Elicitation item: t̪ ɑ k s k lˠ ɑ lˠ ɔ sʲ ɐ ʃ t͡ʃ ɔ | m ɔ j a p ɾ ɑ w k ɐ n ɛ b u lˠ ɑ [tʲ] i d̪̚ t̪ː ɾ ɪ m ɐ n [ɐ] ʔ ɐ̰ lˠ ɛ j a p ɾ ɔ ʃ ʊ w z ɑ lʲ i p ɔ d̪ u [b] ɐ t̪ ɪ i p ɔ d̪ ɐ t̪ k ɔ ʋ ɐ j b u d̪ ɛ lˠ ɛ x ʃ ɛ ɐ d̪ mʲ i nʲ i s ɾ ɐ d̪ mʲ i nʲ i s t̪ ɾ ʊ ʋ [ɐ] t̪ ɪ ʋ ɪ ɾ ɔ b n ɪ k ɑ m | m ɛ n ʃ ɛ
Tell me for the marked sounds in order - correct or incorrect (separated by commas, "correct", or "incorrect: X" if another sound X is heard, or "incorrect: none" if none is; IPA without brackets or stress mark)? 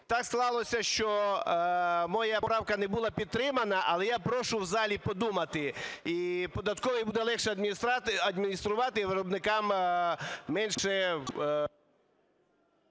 incorrect: pʲ, correct, incorrect: m, incorrect: ɑ